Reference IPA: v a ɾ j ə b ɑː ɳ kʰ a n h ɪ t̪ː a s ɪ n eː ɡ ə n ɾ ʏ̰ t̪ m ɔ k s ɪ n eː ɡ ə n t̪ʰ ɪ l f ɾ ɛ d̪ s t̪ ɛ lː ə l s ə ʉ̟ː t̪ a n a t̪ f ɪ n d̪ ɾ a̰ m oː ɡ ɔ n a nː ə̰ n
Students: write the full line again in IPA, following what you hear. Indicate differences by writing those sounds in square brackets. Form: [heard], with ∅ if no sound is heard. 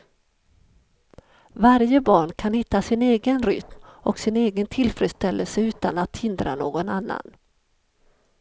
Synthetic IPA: v a ɾ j ə b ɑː ɳ kʰ a n h ɪ t̪ː a s ɪ n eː ɡ ə n ɾ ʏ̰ t̪ m ɔ k s ɪ n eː ɡ ə n t̪ʰ ɪ l f ɾ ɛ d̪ s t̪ ɛ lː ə l s ə ʉ̟ː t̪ a n a t̪ [h] ɪ n d̪ ɾ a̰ [n] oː ɡ ɔ n a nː [a̰] n